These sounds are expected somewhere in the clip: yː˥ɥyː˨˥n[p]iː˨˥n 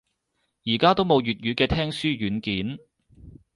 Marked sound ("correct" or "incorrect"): incorrect